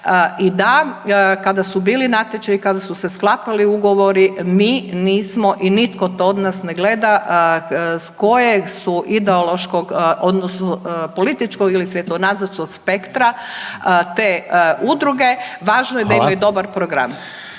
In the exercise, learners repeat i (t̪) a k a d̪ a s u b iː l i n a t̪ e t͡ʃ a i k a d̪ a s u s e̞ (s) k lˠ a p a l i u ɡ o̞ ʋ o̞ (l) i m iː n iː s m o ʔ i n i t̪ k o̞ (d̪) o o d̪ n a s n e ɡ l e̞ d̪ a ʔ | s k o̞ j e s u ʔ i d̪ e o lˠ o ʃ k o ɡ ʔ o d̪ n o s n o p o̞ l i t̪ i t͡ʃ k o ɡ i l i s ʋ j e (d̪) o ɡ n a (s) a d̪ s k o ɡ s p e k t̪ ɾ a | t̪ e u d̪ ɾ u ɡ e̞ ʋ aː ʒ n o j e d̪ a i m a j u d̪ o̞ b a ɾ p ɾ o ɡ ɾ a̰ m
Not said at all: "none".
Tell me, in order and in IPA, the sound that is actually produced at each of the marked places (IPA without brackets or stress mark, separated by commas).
d̪, s, ɾ, t̪, t̪, z